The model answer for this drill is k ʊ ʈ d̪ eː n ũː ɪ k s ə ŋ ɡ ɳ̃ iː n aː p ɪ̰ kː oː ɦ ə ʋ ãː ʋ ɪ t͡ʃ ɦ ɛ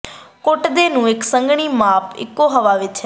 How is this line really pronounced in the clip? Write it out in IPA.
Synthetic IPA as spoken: k ʊ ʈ d̪ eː n ũː ɪ k s ə ŋ ɡ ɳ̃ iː m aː p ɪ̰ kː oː ɦ ə ʋ aː ʋ ɪ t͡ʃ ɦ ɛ